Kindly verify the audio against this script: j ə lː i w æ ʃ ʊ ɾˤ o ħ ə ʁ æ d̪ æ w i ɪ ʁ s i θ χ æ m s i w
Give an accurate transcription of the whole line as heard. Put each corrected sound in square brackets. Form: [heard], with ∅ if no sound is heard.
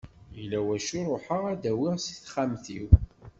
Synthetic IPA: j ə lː [æ] w æ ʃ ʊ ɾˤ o ħ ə ʁ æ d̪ æ w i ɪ ʁ s i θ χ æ m [θ] i w